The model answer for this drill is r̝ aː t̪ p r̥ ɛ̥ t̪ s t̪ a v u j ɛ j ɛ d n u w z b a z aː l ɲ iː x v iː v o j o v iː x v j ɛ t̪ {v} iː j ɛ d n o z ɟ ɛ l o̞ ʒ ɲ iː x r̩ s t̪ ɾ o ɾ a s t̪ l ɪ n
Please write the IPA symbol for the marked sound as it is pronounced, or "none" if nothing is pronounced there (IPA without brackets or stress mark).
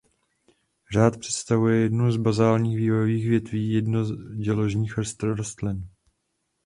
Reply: v